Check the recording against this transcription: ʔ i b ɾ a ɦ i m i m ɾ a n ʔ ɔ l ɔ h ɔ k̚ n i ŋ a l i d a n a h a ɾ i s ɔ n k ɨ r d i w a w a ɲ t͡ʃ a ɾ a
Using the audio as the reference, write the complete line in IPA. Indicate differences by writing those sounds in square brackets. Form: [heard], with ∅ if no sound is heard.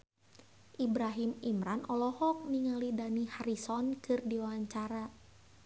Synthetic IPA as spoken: ʔ i b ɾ a ɦ i m i m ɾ a n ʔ ɔ l ɔ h ɔ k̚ n i ŋ a l i d a n [i] h a ɾ i s ɔ n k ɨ r d i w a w a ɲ t͡ʃ a ɾ a